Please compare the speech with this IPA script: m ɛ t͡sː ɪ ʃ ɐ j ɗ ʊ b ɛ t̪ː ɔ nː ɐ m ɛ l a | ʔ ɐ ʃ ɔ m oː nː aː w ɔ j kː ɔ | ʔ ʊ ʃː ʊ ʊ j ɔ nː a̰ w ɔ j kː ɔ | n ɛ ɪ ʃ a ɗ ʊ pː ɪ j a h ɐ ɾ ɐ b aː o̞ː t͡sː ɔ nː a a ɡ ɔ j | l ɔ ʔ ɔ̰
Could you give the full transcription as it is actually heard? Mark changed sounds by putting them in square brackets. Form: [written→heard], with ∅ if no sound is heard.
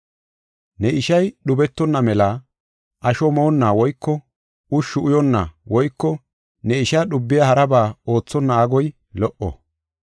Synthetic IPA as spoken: [m→n] ɛ [t͡sː→∅] ɪ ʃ ɐ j ɗ ʊ b ɛ t̪ː ɔ nː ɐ m ɛ l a | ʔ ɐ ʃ ɔ m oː nː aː w ɔ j kː ɔ | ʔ ʊ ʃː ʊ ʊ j ɔ nː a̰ w ɔ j kː ɔ | n ɛ ɪ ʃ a ɗ ʊ [pː→bː] ɪ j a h ɐ ɾ ɐ b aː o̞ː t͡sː ɔ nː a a ɡ ɔ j | l ɔ ʔ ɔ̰

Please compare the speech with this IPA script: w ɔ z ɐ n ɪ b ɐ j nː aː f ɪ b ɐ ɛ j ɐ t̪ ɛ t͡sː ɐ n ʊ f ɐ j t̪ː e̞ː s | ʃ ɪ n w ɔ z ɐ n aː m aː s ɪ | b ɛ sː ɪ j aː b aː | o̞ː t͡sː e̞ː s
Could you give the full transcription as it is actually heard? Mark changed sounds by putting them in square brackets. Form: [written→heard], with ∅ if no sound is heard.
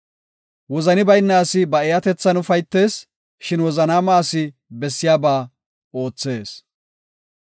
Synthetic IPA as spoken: w ɔ z ɐ n ɪ b ɐ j nː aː [f→s] ɪ b ɐ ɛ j ɐ t̪ ɛ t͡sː ɐ n ʊ f ɐ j t̪ː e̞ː s | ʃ ɪ n w ɔ z ɐ n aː m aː s ɪ | b ɛ sː ɪ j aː b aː | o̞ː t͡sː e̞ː s

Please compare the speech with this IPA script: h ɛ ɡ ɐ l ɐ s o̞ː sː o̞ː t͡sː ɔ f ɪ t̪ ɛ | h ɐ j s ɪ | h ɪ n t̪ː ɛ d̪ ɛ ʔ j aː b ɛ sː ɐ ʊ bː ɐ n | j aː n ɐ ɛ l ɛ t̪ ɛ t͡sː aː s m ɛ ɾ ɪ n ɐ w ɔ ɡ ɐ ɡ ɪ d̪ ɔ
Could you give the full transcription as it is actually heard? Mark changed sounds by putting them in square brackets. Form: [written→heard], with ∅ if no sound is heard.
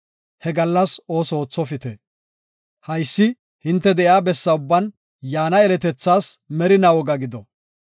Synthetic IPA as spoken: h ɛ ɡ ɐ [l→lː] ɐ s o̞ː [sː→s] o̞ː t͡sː ɔ f ɪ t̪ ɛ | h ɐ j [s→sː] ɪ | h ɪ n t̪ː ɛ d̪ ɛ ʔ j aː b ɛ sː ɐ ʊ bː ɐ n | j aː n ɐ ɛ l ɛ t̪ ɛ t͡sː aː s m ɛ ɾ ɪ n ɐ w ɔ ɡ ɐ ɡ ɪ d̪ ɔ

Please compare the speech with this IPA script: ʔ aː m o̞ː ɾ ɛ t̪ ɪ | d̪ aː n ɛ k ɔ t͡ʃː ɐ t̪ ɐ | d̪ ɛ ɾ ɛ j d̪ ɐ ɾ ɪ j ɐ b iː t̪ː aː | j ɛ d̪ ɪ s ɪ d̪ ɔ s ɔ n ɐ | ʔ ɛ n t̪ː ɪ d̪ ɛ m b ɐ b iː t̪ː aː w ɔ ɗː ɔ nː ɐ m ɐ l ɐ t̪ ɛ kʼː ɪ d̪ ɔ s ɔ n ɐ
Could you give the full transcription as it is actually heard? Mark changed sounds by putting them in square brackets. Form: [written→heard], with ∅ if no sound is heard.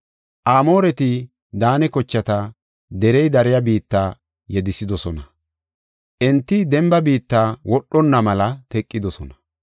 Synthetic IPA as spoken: ʔ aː m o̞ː ɾ ɛ t̪ ɪ | d̪ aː n ɛ k ɔ t͡ʃː ɐ t̪ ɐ | d̪ ɛ ɾ ɛ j d̪ ɐ ɾ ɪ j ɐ b iː t̪ː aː | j ɛ d̪ ɪ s ɪ d̪ ɔ s ɔ n ɐ | ʔ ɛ n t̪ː ɪ d̪ ɛ m b ɐ b iː t̪ː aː w ɔ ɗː ɔ nː ɐ m ɐ l ɐ t̪ ɛ kʼː ɪ d̪ ɔ s ɔ n ɐ

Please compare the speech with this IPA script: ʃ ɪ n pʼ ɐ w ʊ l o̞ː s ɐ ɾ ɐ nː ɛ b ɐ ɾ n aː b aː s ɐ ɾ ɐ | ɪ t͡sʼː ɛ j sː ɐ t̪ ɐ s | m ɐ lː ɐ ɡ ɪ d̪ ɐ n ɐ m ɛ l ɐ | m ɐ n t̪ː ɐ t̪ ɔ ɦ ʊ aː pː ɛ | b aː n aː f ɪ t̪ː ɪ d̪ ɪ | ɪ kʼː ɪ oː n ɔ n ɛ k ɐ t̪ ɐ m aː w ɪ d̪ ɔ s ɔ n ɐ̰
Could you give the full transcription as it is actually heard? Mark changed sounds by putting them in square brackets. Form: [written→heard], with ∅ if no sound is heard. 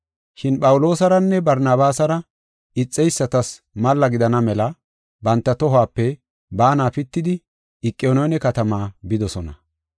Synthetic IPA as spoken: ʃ ɪ n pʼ ɐ w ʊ l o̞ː s ɐ ɾ ɐ nː ɛ b ɐ ɾ n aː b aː s ɐ ɾ ɐ | ɪ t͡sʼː ɛ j sː ɐ t̪ ɐ s | m ɐ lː ɐ ɡ ɪ d̪ ɐ n ɐ m ɛ l ɐ | [m→b] ɐ n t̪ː ɐ t̪ ɔ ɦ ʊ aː pː ɛ | b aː n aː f ɪ t̪ː ɪ d̪ ɪ | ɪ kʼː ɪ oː n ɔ n ɛ k ɐ t̪ ɐ m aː [w→b] ɪ d̪ ɔ s ɔ n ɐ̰

